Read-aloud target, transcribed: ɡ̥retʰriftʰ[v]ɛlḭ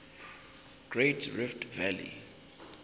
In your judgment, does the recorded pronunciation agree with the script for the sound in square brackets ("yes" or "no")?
yes